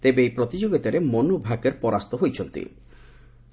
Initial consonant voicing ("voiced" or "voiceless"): voiceless